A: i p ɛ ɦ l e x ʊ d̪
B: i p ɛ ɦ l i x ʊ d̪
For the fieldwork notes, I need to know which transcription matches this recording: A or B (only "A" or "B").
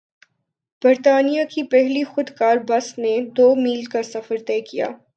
B